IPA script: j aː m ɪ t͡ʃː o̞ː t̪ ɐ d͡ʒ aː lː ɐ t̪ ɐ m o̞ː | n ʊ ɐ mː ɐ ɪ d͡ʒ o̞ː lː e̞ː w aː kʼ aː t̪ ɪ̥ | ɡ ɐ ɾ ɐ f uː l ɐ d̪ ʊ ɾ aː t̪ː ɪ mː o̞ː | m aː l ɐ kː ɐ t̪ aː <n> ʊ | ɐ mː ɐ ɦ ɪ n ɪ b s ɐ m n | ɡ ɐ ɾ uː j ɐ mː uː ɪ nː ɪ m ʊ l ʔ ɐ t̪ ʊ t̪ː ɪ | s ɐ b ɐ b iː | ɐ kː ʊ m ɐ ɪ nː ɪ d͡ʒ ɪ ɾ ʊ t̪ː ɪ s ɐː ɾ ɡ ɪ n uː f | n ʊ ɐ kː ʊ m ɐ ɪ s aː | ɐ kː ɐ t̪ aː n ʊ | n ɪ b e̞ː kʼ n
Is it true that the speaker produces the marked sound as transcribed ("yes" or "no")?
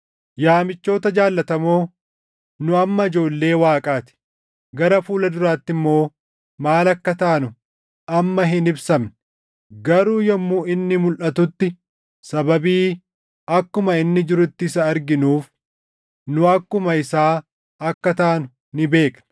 yes